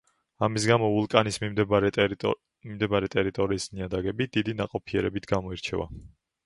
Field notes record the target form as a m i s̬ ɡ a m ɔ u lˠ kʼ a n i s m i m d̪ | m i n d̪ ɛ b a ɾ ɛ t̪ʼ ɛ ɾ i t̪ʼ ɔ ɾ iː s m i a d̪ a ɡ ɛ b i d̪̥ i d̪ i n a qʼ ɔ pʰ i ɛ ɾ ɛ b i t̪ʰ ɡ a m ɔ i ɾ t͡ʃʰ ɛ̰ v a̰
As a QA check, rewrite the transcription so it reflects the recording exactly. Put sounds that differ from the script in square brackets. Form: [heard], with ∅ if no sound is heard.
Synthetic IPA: a m i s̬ ɡ a m ɔ u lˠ kʼ a n i s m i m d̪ | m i [m] d̪ ɛ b a ɾ ɛ t̪ʼ ɛ ɾ i t̪ʼ ɔ ɾ iː s [n] i a d̪ a ɡ ɛ b i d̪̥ i d̪ i n a qʼ ɔ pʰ i ɛ ɾ ɛ b i t̪ʰ ɡ a m ɔ i ɾ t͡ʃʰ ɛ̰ v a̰